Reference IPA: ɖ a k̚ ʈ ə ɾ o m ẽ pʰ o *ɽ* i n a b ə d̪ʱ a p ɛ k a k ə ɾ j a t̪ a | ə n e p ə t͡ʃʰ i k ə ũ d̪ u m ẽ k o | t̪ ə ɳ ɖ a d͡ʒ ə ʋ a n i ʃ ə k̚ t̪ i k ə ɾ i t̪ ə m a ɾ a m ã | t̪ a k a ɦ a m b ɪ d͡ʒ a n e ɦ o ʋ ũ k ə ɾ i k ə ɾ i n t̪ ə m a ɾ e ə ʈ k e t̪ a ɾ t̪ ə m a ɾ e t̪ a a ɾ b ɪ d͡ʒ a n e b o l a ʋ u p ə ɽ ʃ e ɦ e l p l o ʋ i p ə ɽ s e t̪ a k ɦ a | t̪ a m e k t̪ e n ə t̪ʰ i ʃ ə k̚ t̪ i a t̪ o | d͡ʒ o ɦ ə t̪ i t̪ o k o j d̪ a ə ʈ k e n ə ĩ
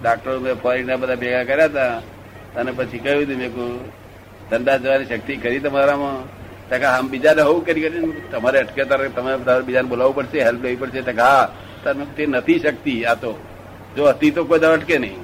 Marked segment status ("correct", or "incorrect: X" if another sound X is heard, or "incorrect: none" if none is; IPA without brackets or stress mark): incorrect: ɾ